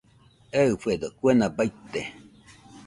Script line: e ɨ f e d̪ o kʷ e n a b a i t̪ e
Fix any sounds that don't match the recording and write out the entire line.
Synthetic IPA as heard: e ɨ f e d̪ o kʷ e n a b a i t̪ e

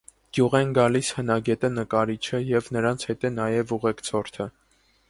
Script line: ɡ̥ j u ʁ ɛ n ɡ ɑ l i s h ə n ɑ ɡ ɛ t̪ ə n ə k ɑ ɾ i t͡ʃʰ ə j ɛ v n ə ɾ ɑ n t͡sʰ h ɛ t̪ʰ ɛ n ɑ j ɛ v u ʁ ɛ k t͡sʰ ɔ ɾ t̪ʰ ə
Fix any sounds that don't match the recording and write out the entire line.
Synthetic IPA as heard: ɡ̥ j u ʁ ɛ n ɡ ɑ l i s h ə n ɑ ɡ ɛ t̪ ə n ə k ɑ ɾ i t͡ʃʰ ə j ɛ v n ə ɾ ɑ n t͡sʰ h ɛ t̪ ɛ n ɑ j ɛ v u ʁ ɛ k t͡sʰ ɔ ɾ t̪ʰ ə

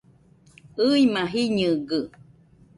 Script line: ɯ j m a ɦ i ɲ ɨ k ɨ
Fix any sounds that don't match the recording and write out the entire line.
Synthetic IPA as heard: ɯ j m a ɦ i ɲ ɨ ɡ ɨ

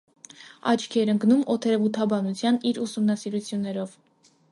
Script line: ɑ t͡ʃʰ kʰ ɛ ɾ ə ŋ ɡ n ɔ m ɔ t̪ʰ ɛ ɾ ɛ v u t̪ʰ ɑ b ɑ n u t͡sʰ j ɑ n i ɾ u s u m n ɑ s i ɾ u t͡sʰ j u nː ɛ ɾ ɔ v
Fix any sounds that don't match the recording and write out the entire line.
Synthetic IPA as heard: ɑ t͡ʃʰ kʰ ɛ ɾ ə ŋ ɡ n u m ɔ t̪ʰ ɛ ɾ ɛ v u t̪ʰ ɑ b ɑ n u t͡sʰ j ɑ n i ɾ u s u m n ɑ s i ɾ u t͡sʰ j u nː ɛ ɾ ɔ v

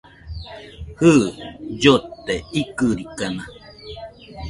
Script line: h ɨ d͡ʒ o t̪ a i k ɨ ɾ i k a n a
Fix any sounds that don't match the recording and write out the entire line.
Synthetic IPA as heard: h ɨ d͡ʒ o t̪ e i k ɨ ɾ i k a n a

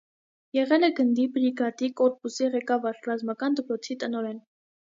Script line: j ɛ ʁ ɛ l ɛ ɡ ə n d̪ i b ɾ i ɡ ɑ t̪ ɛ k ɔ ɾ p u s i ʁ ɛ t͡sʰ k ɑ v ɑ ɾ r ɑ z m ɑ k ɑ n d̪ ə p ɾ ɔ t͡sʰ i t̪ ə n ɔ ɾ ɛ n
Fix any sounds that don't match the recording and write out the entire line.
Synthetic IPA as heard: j ɛ ʁ ɛ l ɛ ɡ ə n d̪ i b ɾ i ɡ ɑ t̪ i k ɔ ɾ p u s i ʁ ɛ k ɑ v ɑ ɾ r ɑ z m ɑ k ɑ n d̪ ə p ɾ ɔ t͡sʰ i t̪ ə n ɔ ɾ ɛ n

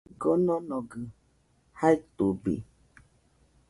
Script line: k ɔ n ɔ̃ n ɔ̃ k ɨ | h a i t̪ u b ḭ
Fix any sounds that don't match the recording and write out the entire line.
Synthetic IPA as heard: ɡ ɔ n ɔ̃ n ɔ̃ ɡ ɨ | h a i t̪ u b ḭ

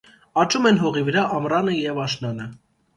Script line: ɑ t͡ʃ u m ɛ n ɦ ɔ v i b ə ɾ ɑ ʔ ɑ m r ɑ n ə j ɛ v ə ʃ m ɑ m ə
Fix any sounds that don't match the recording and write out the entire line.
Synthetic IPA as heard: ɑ t͡ʃ u m ɛ n ɦ ɔ ʁ i v ə ɾ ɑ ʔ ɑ m r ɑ n ə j ɛ v ɑ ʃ n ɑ n ə

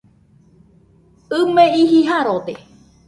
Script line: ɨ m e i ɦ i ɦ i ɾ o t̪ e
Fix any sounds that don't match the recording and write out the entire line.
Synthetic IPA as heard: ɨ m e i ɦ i ɦ a ɾ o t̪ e

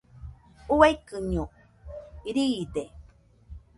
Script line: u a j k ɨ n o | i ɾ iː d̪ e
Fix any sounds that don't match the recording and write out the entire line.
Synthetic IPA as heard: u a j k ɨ ɲ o | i ɾ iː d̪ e

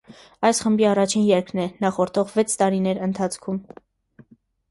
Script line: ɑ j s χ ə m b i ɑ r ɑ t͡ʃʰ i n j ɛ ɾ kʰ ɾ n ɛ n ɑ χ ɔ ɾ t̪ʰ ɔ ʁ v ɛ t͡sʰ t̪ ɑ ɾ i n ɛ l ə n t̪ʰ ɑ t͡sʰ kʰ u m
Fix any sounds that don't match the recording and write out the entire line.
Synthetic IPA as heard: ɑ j s χ ə m b i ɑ r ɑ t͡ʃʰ i n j ɛ ɾ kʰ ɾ n ɛ n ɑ χ ɔ ɾ t̪ʰ ɔ ʁ v ɛ t͡sʰ t̪ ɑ ɾ i n ɛ ɾ ə n t̪ʰ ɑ t͡sʰ kʰ u m

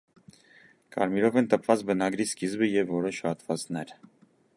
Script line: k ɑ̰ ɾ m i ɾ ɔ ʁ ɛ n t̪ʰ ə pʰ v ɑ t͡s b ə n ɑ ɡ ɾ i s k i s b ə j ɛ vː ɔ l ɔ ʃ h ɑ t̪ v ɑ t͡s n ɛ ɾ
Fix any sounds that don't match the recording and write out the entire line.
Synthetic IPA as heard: k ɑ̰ ɾ m i ɾ ɔ v ɛ n t̪ ə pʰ v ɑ t͡s b ə n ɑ ɡ ɾ i s k i z b ə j ɛ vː ɔ ɾ ɔ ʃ h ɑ t̪ v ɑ t͡s n ɛ ɾ

